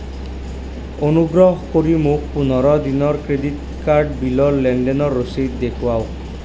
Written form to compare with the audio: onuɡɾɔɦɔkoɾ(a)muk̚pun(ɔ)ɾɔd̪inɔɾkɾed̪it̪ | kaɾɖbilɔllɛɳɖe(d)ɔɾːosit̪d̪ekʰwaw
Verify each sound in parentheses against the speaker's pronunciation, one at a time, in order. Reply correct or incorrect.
incorrect, correct, incorrect

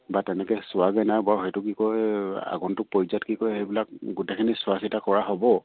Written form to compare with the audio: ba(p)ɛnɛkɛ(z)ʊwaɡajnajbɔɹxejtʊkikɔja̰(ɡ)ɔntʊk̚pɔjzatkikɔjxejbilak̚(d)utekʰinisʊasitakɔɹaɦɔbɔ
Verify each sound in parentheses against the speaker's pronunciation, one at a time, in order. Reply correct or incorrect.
incorrect, incorrect, correct, incorrect

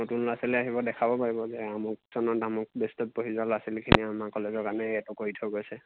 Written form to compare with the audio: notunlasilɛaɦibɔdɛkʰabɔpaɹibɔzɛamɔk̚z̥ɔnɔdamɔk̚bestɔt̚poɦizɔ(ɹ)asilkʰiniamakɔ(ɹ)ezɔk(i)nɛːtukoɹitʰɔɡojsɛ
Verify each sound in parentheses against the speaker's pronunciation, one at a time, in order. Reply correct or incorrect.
incorrect, incorrect, incorrect

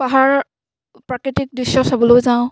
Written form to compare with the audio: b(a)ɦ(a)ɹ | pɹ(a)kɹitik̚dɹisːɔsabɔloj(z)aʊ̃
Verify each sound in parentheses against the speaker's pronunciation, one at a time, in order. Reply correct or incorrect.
correct, correct, correct, correct

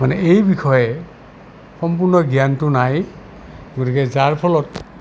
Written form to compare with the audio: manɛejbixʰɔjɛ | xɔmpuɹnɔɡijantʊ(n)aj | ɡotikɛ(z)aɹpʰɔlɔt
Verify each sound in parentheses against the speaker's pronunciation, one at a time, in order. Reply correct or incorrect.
correct, correct

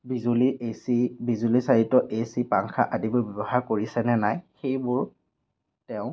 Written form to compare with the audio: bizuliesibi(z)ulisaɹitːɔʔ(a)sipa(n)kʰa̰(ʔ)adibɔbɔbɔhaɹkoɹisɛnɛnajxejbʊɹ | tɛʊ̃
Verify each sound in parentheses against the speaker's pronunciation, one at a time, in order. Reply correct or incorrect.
correct, incorrect, incorrect, correct

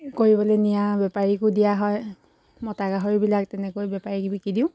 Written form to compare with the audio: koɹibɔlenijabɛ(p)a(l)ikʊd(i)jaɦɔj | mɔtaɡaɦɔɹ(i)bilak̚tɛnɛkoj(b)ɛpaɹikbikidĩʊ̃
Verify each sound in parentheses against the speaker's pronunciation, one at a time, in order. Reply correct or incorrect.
correct, incorrect, correct, correct, correct

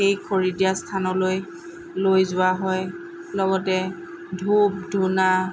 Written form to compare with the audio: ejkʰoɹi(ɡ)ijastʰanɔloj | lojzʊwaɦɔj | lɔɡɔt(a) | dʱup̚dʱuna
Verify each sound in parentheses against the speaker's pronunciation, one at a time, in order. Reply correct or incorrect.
incorrect, incorrect

